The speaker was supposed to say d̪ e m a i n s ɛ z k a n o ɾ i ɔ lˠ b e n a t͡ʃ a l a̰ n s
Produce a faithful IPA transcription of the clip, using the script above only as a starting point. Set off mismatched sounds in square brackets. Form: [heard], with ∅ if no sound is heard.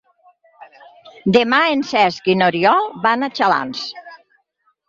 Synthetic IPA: d̪ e m a [e] n s ɛ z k [i] n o ɾ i ɔ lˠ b [a] n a t͡ʃ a l a̰ n s